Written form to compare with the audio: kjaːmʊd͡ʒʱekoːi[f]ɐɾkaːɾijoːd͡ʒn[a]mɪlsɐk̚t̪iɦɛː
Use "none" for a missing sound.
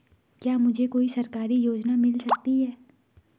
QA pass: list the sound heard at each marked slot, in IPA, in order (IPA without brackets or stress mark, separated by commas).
s, a